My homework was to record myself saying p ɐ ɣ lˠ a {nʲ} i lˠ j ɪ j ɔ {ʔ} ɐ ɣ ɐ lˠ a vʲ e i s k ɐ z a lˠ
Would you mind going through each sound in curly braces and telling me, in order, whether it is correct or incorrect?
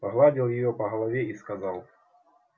incorrect: dʲ, incorrect: p

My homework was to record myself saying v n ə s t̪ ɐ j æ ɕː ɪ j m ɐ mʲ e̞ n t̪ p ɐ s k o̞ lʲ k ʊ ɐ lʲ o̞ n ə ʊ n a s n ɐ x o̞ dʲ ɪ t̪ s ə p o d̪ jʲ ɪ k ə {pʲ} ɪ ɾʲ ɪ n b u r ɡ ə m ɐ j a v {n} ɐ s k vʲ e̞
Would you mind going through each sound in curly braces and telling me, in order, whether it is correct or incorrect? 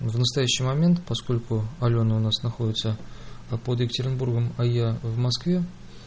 incorrect: tʲ, incorrect: m

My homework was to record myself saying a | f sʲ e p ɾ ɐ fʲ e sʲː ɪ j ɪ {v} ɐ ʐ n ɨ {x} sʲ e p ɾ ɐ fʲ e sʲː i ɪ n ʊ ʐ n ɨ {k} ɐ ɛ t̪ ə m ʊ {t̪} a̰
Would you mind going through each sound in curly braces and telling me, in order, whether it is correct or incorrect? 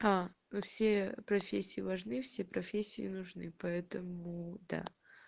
correct, incorrect: f, incorrect: p, incorrect: d̪

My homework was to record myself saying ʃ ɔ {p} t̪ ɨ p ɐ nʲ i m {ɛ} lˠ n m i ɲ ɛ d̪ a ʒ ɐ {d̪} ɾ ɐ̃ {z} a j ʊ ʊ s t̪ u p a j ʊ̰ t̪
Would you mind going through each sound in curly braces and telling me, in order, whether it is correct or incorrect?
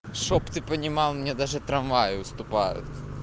correct, incorrect: a, incorrect: t̪, incorrect: v

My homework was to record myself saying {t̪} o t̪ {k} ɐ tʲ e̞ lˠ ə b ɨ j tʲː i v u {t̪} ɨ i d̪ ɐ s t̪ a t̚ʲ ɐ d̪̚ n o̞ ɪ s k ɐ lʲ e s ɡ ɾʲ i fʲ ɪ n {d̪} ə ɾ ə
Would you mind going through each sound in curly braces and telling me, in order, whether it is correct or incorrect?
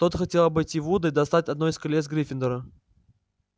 correct, incorrect: x, incorrect: d̪, correct

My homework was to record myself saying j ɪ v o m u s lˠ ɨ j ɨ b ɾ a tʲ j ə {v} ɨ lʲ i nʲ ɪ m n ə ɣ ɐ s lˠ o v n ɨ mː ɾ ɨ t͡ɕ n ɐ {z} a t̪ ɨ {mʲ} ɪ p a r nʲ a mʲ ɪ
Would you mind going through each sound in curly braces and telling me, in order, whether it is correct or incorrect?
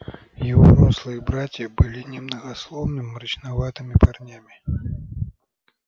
incorrect: b, incorrect: v, correct

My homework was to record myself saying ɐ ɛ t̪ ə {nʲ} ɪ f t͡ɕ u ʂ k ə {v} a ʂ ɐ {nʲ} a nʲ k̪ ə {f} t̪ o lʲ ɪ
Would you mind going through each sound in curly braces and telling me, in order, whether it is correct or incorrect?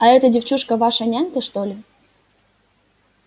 incorrect: dʲ, correct, correct, incorrect: ʂ

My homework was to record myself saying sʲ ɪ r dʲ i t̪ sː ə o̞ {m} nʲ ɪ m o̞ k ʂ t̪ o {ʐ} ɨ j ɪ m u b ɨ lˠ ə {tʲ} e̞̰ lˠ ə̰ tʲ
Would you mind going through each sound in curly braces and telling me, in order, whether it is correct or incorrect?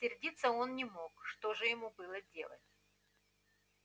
incorrect: n, correct, incorrect: dʲ

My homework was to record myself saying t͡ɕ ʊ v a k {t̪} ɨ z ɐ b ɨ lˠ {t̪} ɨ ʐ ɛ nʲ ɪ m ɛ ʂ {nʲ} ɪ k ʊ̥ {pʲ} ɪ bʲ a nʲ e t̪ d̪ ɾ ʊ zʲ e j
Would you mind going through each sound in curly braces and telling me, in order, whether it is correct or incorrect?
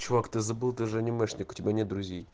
correct, correct, correct, incorrect: tʲ

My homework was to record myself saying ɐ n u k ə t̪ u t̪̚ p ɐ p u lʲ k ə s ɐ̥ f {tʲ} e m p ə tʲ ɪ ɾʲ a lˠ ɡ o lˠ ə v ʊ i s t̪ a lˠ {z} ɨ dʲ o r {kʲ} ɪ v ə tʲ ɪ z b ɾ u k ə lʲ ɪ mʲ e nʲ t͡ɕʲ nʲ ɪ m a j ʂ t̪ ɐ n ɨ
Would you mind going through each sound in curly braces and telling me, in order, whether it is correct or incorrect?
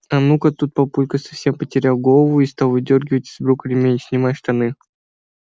incorrect: sʲ, incorrect: v, incorrect: ɡʲ

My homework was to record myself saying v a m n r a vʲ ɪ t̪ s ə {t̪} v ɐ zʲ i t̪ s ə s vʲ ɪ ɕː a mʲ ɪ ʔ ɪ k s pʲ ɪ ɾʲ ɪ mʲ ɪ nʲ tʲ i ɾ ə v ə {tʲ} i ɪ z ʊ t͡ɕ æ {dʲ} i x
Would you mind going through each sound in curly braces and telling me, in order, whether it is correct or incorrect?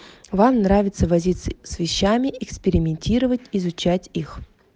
incorrect: none, correct, incorrect: tʲ

